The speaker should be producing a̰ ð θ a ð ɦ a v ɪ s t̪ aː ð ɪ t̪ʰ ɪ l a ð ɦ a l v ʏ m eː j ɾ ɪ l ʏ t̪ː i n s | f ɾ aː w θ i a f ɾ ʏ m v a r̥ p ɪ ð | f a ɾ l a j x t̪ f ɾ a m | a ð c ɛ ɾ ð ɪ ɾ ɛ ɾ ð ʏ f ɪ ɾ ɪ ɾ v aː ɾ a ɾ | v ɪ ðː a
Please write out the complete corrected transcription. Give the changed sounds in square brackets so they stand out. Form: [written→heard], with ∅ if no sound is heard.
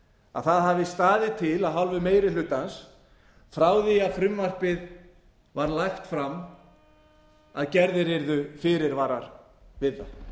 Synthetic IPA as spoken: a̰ ð θ a ð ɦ a v ɪ s t̪ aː ð ɪ t̪ʰ ɪ l a ð ɦ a l v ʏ m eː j ɾ ɪ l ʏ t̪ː [i→a] n s | f ɾ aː w [θ→ð] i a f ɾ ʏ m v a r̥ p ɪ ð | [f→v] a ɾ l a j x t̪ f ɾ a m | a ð c ɛ ɾ ð ɪ ɾ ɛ ɾ ð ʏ f ɪ ɾ ɪ ɾ v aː ɾ a ɾ | v ɪ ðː a